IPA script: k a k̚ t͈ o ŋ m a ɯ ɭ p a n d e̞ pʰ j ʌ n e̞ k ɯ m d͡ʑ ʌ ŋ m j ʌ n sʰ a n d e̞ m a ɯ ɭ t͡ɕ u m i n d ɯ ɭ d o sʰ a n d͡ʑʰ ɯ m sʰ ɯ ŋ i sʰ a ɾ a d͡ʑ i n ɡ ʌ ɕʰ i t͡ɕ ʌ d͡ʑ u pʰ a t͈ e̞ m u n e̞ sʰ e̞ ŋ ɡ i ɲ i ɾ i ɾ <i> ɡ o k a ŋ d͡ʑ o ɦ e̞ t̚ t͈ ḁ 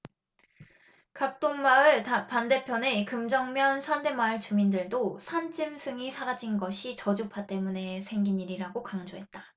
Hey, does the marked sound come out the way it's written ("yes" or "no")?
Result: no